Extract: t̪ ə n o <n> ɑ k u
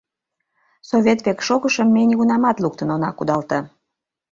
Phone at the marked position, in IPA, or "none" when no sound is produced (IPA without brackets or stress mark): n